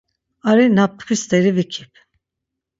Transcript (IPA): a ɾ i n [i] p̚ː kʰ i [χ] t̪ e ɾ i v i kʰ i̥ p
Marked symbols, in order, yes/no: no, no

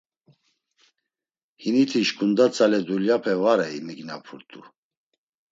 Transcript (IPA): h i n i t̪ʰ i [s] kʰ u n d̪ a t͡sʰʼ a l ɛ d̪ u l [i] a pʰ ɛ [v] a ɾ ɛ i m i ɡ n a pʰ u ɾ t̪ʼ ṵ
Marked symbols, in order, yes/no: no, no, yes

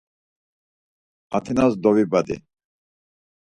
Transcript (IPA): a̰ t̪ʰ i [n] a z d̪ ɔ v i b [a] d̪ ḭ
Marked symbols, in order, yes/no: yes, yes

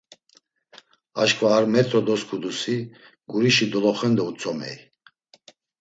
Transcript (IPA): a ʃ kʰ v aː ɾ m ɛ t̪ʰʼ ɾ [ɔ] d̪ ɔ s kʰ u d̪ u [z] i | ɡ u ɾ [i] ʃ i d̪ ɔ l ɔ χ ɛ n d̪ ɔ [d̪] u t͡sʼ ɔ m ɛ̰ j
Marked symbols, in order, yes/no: yes, no, yes, no

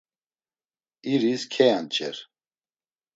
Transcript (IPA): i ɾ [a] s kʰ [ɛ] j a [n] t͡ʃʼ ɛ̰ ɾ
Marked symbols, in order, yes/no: no, yes, yes

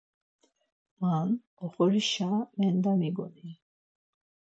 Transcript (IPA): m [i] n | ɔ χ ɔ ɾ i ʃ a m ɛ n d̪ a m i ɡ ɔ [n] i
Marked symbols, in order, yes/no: no, yes

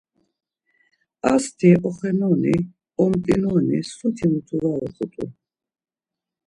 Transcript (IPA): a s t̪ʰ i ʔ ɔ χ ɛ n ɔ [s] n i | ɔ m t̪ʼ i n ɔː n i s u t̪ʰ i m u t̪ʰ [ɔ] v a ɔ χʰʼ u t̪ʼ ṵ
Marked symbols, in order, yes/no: no, no

